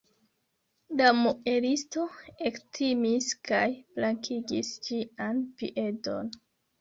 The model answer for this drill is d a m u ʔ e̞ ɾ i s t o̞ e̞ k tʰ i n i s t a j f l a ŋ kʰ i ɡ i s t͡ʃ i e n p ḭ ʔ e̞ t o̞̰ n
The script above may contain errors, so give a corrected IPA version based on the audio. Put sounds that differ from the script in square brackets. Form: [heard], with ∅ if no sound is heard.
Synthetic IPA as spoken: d a m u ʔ e̞ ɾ i s t o̞ e̞ k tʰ i [m] i s [k] a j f l a ŋ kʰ i ɡ i s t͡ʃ i [a] n p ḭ ʔ e̞ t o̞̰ n